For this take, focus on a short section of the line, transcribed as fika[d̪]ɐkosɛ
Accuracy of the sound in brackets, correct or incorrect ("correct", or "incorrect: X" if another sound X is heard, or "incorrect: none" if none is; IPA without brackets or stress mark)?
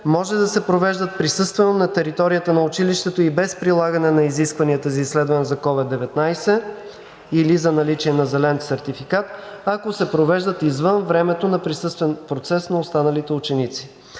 incorrect: t̪